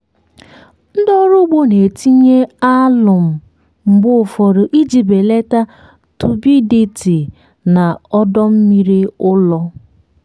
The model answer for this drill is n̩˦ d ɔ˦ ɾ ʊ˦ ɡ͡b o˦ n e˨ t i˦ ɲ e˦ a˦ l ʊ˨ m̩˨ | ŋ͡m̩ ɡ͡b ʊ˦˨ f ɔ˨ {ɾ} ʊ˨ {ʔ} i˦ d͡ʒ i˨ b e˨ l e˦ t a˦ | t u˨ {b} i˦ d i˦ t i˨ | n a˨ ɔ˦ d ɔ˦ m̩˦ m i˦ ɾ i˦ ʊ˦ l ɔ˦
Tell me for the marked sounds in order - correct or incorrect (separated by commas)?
correct, correct, correct